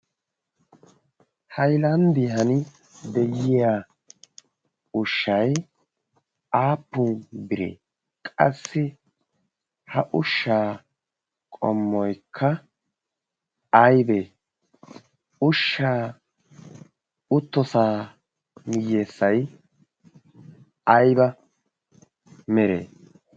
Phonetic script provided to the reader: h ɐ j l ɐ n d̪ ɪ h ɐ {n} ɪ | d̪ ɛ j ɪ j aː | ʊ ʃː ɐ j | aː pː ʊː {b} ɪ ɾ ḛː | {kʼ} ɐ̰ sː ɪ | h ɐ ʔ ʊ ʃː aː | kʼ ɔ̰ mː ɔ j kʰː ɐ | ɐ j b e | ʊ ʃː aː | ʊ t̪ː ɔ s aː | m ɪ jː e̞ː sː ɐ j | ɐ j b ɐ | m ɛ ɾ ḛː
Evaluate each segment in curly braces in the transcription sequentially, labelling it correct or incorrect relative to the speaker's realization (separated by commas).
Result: correct, correct, correct